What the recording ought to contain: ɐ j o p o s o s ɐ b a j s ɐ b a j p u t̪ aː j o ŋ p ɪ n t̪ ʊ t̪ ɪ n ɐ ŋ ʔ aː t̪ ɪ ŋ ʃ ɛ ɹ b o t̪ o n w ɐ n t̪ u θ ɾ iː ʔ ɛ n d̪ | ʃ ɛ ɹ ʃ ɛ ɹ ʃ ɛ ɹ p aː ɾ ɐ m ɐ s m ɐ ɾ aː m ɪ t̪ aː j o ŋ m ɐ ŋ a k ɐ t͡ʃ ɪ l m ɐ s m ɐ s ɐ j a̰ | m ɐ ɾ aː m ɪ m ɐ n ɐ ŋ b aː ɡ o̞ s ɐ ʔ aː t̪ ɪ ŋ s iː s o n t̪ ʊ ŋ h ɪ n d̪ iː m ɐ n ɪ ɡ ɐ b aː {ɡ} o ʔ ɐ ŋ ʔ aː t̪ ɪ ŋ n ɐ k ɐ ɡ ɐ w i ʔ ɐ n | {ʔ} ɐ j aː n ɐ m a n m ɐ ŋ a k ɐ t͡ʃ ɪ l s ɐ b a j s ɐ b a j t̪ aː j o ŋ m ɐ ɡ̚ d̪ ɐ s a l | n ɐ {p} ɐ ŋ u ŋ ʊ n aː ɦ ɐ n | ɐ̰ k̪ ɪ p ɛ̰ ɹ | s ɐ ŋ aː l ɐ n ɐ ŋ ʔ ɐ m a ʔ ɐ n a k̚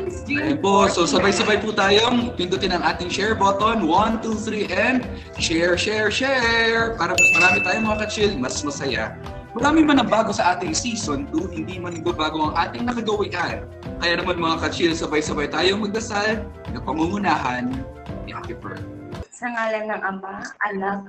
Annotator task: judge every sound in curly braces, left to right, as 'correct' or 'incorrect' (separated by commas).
correct, incorrect, correct